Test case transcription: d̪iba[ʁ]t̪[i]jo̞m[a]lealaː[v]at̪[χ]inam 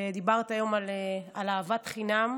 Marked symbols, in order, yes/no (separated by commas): yes, no, yes, yes, yes